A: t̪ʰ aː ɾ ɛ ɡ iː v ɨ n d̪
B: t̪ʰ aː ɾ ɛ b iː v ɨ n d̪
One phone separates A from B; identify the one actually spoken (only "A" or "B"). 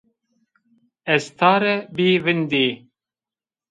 B